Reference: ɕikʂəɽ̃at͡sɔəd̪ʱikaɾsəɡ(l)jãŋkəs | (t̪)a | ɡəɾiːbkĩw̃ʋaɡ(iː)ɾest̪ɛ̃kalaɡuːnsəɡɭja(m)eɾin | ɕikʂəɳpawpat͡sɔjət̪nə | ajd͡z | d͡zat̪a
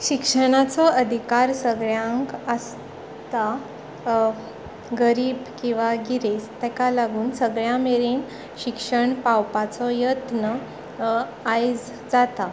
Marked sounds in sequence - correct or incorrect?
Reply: incorrect, correct, incorrect, correct

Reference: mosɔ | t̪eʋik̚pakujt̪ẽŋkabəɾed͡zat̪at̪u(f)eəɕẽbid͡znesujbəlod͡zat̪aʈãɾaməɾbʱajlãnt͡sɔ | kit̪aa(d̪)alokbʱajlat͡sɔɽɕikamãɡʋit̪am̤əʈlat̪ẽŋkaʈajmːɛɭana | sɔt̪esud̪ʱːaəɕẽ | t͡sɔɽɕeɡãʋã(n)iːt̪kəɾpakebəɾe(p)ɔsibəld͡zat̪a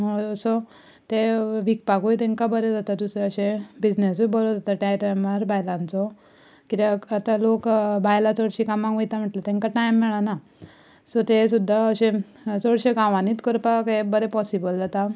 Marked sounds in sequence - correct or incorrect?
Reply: incorrect, incorrect, correct, correct

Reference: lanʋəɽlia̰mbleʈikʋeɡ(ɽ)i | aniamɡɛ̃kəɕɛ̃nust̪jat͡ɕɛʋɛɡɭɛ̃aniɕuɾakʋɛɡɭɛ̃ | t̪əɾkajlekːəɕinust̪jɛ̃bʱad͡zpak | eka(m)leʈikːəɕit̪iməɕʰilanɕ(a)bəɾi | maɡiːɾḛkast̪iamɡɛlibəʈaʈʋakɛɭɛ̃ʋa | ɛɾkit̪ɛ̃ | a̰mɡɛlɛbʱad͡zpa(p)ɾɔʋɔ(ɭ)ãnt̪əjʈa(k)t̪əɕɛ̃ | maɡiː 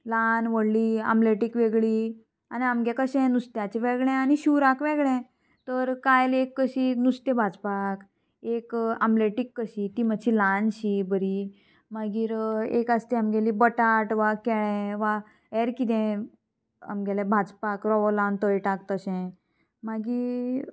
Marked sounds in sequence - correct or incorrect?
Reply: incorrect, correct, incorrect, incorrect, incorrect, correct

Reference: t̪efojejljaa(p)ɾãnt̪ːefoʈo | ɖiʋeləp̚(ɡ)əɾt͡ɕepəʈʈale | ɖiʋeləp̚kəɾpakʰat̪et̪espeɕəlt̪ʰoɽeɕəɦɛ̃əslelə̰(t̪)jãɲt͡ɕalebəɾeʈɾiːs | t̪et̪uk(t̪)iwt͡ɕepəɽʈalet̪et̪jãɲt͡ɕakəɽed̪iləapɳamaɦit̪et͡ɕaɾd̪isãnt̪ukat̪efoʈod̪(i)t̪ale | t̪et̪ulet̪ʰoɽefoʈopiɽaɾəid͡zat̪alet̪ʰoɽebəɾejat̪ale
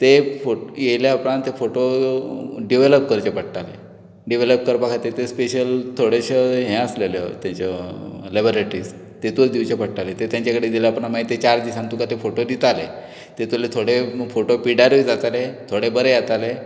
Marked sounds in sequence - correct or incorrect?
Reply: correct, incorrect, correct, incorrect, correct

